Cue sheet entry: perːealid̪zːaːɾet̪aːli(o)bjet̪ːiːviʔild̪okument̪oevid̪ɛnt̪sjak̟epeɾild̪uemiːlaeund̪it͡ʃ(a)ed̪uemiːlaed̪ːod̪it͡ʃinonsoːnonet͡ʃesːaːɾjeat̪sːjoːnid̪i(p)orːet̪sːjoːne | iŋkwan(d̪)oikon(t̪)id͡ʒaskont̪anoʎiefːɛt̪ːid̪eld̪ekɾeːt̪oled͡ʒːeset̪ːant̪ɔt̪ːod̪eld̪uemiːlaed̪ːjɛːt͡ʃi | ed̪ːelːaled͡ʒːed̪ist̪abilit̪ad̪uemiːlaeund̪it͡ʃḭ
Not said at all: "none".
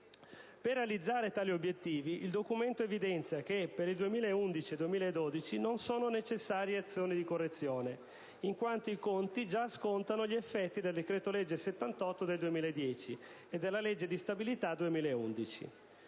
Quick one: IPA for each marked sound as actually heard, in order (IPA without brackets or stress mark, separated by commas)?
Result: o, i, k, t̪, t̪